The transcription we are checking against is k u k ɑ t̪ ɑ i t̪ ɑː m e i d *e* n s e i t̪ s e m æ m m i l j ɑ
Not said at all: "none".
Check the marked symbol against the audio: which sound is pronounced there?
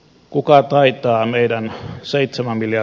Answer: æ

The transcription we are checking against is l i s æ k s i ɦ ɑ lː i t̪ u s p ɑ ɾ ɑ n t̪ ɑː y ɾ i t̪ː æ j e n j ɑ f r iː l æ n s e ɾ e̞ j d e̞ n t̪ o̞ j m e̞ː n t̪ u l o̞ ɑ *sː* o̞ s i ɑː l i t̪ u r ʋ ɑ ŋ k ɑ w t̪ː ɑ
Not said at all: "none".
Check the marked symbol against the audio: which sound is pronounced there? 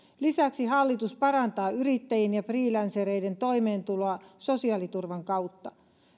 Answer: s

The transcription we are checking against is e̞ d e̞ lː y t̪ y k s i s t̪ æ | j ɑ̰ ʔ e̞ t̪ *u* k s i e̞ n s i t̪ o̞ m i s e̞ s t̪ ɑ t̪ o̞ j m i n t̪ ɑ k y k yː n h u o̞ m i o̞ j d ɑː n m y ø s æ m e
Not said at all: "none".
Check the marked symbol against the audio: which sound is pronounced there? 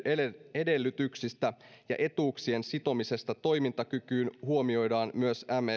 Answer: uː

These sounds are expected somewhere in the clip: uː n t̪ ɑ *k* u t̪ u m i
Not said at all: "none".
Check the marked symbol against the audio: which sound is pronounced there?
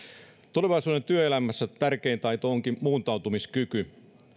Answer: none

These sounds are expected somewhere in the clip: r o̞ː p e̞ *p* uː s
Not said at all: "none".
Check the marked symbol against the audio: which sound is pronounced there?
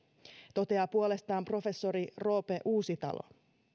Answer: ʔ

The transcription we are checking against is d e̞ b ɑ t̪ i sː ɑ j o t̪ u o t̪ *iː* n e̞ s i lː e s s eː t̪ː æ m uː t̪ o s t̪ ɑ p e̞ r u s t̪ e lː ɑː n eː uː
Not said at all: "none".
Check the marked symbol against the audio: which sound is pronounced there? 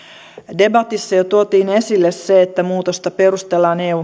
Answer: iː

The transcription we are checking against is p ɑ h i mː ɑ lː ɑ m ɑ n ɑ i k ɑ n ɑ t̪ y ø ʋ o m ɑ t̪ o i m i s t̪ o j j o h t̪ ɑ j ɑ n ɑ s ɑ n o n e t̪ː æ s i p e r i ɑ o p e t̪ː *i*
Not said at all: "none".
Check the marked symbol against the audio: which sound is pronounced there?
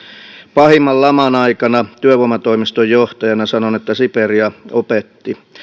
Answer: i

